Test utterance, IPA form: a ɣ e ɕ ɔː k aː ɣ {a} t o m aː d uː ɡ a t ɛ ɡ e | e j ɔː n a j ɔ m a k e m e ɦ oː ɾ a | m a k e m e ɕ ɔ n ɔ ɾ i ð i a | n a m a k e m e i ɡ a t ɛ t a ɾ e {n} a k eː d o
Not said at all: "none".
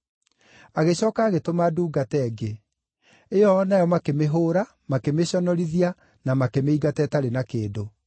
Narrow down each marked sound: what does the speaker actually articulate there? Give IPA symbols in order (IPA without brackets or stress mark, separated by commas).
e, n